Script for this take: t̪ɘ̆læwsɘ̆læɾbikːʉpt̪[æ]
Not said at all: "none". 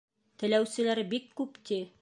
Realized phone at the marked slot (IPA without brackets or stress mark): i